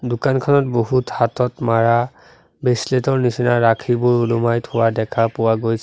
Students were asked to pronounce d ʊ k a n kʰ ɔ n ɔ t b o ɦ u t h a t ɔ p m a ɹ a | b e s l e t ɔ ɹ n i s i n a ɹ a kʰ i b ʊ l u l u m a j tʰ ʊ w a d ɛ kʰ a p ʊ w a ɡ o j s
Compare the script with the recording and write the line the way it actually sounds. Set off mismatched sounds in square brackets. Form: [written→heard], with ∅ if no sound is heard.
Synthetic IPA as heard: d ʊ k a n kʰ ɔ n ɔ t b o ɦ u t h a t ɔ [p→t] m a ɹ a | b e s l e t ɔ ɹ n i s i n a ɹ a kʰ i b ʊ [l→ɹ] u l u m a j tʰ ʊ w a d ɛ kʰ a p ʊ w a ɡ o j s